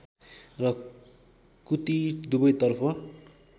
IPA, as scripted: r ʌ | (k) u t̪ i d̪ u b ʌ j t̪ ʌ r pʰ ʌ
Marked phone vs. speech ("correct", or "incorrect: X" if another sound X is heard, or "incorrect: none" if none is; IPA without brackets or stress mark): correct